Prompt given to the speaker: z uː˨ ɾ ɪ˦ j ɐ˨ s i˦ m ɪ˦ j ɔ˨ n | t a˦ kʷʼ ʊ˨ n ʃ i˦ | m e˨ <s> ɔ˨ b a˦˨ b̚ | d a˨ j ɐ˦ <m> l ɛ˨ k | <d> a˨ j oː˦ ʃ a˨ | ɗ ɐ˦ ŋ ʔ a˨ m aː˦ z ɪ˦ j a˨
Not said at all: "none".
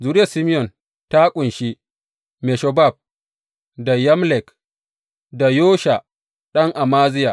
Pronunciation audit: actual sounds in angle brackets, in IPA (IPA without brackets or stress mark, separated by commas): ʃ, m, d